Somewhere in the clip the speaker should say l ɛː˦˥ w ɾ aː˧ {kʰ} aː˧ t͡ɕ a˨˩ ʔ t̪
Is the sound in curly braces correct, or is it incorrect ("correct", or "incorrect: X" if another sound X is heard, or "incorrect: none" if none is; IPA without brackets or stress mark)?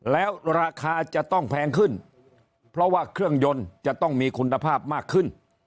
correct